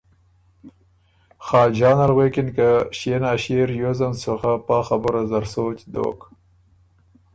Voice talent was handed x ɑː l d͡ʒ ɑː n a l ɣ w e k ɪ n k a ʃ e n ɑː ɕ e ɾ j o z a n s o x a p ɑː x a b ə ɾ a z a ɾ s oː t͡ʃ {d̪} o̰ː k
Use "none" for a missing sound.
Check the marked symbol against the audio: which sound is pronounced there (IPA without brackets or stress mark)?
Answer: d̪